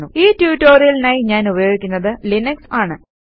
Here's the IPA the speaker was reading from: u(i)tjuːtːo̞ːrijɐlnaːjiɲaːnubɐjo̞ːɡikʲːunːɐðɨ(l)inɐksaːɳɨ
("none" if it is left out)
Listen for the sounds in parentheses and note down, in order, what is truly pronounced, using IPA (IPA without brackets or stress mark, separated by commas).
iː, l